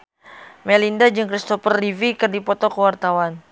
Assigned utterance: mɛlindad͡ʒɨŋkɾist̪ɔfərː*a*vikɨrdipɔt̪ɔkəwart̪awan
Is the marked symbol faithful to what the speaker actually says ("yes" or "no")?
no